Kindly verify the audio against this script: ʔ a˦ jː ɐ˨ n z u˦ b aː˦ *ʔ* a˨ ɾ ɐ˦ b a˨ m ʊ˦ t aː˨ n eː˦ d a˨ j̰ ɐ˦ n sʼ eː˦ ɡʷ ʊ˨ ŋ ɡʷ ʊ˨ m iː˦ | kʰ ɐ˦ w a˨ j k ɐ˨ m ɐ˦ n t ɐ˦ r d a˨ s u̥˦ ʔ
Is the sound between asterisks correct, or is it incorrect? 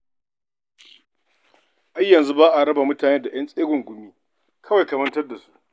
correct